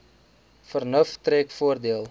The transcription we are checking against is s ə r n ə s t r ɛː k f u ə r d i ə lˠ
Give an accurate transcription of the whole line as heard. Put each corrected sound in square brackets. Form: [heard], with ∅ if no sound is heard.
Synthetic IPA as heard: [f] ə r n ə [f] t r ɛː k f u ə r d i ə lˠ